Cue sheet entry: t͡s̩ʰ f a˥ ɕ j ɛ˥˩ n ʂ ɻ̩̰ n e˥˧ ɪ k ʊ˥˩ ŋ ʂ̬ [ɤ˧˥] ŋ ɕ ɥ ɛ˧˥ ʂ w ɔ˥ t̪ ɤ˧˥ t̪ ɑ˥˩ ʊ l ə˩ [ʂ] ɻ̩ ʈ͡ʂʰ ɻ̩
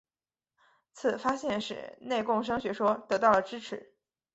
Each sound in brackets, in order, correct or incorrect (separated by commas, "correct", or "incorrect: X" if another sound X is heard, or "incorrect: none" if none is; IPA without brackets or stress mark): incorrect: ɤ˥, incorrect: ʈ͡ʂ